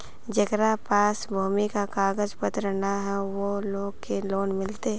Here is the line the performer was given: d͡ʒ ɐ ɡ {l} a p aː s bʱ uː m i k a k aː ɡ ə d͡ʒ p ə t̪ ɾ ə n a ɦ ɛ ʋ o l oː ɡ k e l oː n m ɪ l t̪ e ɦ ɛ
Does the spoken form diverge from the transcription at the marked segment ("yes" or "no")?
yes